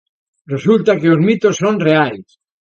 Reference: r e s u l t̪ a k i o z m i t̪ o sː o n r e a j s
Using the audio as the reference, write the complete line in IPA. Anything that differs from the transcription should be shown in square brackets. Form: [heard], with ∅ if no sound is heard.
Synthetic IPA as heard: r e s u l t̪ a k [e] o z m i t̪ o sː o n r e a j s